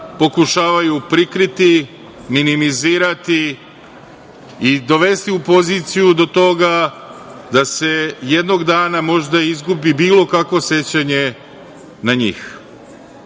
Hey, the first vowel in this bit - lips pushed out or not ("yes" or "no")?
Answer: yes